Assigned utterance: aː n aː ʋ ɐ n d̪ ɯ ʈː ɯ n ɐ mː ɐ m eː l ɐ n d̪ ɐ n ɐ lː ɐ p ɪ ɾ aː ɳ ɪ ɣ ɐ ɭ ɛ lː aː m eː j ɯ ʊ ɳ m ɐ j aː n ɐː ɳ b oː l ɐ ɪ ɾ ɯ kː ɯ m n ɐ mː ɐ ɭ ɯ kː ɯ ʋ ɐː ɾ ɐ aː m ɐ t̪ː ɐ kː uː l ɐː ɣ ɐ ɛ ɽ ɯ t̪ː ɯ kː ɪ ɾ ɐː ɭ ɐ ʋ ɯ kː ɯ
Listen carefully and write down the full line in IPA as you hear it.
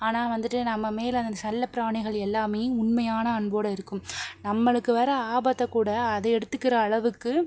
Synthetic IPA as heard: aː n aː ʋ ɐ n d̪ ɯ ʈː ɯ n ɐ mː ɐ m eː l ɐ n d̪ ɐ n ɐ lː ɐ p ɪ ɾ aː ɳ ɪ ɣ ɐ ɭ ɛ lː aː m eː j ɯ ʊ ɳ m ɐ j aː n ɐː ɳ b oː ɽ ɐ ɪ ɾ ɯ kː ɯ m n ɐ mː ɐ ɭ ɯ kː ɯ ʋ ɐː ɾ ɐ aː b ɐ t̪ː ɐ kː uː ɽ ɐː ð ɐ ɛ ɽ ɯ t̪ː ɯ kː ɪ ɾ ɐː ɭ ɐ ʋ ɯ kː ɯ